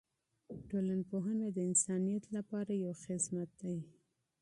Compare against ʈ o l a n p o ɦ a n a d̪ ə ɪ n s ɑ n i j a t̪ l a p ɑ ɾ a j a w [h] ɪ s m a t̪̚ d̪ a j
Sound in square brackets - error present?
yes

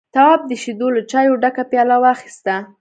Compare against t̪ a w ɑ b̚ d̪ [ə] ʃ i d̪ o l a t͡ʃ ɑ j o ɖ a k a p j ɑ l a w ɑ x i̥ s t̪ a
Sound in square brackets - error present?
no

